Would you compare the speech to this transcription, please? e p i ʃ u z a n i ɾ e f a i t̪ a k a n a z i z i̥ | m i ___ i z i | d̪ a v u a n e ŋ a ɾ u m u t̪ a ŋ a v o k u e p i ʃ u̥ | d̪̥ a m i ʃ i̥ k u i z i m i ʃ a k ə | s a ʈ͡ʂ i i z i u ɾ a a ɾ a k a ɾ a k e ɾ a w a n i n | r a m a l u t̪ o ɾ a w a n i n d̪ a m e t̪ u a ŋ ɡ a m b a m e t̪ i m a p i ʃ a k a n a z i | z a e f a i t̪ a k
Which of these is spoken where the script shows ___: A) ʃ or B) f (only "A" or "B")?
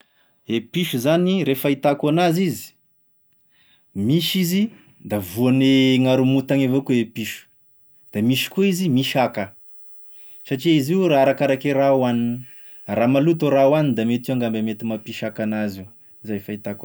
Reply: A